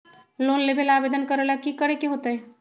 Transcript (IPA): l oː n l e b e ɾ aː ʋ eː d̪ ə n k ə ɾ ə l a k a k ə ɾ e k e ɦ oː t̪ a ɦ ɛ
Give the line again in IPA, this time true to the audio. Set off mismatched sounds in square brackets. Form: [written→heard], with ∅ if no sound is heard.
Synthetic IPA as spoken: l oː n l e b e [ɾ→l] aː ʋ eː d̪ ə n k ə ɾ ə l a k [a→i] k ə ɾ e k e ɦ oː t̪ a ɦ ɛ